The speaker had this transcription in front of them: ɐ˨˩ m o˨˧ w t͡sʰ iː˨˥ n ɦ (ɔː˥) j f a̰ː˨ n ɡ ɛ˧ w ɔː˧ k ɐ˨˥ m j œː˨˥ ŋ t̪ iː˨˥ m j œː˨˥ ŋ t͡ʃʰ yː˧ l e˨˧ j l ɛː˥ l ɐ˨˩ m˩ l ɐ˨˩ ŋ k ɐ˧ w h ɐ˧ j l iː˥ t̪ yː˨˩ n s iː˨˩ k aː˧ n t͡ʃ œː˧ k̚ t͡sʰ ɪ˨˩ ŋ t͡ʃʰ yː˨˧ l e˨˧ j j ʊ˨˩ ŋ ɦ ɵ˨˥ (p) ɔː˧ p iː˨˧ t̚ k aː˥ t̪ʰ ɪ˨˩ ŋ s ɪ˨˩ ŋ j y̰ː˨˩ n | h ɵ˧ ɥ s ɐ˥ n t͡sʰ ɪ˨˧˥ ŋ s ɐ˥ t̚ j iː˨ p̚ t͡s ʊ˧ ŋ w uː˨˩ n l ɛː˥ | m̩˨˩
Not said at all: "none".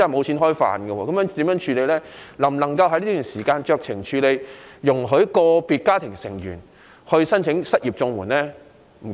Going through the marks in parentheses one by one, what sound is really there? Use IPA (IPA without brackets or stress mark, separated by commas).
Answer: ɔː˥, k